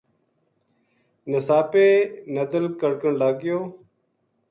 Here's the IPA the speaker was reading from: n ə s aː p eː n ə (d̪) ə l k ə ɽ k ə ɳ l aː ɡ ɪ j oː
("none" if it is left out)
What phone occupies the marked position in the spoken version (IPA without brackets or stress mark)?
d̪